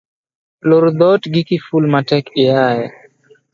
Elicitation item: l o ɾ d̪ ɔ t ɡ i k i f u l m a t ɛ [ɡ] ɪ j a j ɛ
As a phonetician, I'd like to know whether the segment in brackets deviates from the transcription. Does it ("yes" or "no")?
yes